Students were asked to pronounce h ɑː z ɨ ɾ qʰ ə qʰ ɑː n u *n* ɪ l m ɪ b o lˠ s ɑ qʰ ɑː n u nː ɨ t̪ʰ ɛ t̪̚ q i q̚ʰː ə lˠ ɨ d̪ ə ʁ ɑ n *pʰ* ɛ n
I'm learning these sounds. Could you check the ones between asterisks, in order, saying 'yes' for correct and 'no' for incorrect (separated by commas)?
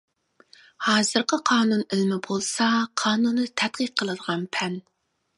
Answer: yes, yes